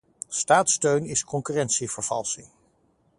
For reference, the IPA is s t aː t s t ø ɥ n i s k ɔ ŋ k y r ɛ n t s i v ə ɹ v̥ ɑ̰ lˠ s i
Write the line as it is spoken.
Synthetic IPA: s t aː t s t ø ɥ n ɪ s k ɔ ŋ k y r ɛ n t s i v ə ɹ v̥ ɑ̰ lˠ s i